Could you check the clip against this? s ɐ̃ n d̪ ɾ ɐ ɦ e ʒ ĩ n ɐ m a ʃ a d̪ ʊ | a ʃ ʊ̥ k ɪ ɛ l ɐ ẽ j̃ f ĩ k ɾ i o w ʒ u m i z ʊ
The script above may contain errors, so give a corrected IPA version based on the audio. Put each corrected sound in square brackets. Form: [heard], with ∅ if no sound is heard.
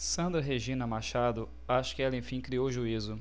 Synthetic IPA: s ɐ̃ n d̪ ɾ ɐ ɦ e ʒ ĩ n ɐ m a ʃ a d̪ ʊ | a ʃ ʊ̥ k ɪ ɛ l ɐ ẽ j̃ f ĩ k ɾ i o w ʒ u [∅] i z ʊ